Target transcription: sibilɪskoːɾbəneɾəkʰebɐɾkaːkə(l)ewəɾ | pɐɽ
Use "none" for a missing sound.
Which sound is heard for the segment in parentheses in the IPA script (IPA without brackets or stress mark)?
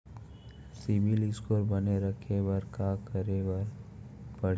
ɾ